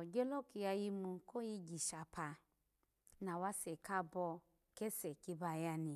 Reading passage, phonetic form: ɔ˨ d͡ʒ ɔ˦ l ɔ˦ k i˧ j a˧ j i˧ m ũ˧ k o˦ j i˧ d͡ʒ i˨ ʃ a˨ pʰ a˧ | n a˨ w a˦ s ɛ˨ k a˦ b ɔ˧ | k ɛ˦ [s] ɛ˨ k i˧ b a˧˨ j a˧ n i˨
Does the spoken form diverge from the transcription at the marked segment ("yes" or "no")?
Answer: no